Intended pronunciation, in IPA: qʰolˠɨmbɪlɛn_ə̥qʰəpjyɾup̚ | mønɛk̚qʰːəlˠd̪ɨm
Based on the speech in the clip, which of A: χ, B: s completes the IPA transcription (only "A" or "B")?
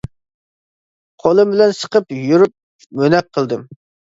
B